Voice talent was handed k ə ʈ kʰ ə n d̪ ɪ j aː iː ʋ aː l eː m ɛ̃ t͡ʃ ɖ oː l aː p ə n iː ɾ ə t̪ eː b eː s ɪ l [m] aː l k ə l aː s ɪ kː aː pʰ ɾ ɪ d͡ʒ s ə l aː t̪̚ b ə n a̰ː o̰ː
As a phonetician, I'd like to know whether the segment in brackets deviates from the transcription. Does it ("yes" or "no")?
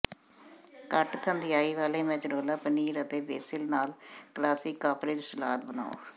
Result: yes